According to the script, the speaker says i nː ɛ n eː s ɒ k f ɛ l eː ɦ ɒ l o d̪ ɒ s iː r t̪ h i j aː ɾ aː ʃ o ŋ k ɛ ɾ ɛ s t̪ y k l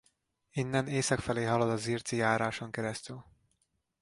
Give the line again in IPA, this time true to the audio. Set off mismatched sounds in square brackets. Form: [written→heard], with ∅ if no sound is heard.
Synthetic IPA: i nː ɛ n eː s ɒ k f ɛ l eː ɦ ɒ l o d̪ ɒ [s→z] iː r t̪ [h→s] i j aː ɾ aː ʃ o ŋ k ɛ ɾ ɛ s t̪ y [k→∅] l

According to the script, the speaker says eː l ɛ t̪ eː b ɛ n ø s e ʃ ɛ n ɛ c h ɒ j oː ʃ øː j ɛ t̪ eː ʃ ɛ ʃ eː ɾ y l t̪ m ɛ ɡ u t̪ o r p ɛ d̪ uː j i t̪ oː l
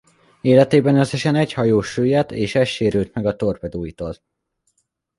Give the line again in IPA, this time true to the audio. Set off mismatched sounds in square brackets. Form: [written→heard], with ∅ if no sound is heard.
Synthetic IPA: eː l ɛ t̪ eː b ɛ n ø s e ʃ ɛ n ɛ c h ɒ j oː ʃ øː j ɛ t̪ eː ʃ ɛ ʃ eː ɾ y l t̪ m ɛ ɡ [u→ɒ] t̪ o r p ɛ d̪ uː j i t̪ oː l

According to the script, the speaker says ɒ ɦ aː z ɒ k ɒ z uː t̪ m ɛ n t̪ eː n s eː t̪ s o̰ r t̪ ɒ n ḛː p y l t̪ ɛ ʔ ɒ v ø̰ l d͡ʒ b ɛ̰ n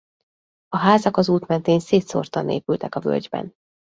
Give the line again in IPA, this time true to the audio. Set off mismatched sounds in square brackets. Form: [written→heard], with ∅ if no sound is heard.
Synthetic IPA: ɒ ɦ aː z ɒ k ɒ z uː t̪ m ɛ n t̪ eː n s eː t̪ s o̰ r t̪ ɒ n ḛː p y l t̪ ɛ [ʔ→k] ɒ v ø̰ l d͡ʒ b ɛ̰ n

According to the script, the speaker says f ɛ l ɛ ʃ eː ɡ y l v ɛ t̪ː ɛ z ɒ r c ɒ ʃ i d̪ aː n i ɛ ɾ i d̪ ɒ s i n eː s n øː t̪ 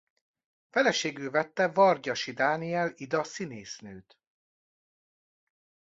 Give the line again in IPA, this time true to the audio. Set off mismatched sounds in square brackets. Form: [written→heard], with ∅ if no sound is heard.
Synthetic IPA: f ɛ l ɛ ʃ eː ɡ y l v ɛ t̪ː ɛ [z→v] ɒ r [c→ɟ] ɒ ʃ i d̪ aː n i ɛ [ɾ→l] i d̪ ɒ s i n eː s n øː t̪

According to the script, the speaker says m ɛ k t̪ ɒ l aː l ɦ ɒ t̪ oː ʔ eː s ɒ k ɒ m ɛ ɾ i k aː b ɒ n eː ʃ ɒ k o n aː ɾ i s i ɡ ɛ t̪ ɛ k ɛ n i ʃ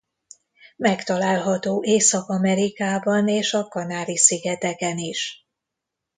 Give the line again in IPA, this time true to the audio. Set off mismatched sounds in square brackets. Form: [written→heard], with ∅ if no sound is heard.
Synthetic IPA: m ɛ k t̪ ɒ l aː l ɦ ɒ t̪ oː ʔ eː s ɒ k ɒ m ɛ ɾ i k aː b ɒ n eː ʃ ɒ k [o→ɒ] n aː ɾ i s i ɡ ɛ t̪ ɛ k ɛ n i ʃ

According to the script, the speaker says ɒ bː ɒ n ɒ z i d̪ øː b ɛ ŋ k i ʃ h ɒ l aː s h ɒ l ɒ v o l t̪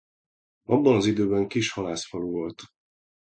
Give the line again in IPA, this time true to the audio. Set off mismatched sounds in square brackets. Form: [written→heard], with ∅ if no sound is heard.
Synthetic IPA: ɒ bː ɒ n ɒ z i d̪ øː b ɛ ŋ k i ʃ h ɒ l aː s [h→f] ɒ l [ɒ→u] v o l t̪

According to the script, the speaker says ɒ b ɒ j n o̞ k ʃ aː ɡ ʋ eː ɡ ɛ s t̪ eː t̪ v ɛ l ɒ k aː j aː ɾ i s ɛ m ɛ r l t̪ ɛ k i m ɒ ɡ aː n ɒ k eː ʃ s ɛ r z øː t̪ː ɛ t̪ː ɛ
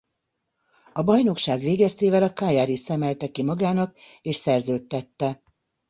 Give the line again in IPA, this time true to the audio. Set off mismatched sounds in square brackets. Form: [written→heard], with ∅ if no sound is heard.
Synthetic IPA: ɒ b ɒ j n o̞ k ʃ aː ɡ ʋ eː ɡ ɛ s t̪ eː [t̪→∅] v ɛ l ɒ k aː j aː ɾ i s ɛ m ɛ [r→∅] l t̪ ɛ k i m ɒ ɡ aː n ɒ k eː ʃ s ɛ r z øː t̪ː ɛ t̪ː ɛ

